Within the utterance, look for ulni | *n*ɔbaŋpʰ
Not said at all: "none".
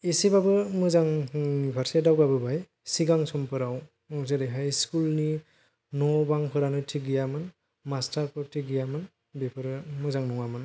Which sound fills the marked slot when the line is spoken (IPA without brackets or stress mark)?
n